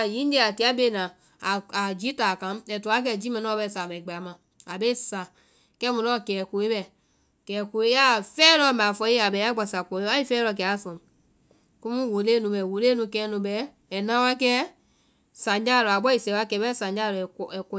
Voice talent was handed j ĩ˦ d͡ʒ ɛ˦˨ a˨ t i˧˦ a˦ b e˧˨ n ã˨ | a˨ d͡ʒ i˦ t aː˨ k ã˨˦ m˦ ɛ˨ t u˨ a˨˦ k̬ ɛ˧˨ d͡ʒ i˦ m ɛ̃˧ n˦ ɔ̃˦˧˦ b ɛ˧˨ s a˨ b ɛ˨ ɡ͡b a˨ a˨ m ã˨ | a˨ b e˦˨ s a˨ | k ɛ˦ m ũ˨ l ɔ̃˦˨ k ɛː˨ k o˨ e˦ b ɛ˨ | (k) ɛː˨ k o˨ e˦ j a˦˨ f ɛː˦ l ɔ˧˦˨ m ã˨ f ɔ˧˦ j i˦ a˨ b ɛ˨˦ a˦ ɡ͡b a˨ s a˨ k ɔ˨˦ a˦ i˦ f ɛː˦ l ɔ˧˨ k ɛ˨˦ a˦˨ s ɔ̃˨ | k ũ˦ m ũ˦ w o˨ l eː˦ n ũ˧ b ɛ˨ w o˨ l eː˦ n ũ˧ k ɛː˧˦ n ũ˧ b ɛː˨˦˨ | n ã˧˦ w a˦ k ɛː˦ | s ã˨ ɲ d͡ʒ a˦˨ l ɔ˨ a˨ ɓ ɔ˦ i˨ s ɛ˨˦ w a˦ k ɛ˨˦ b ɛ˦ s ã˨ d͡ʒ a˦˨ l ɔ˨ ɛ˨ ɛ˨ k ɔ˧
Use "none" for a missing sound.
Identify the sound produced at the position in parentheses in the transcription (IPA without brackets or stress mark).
k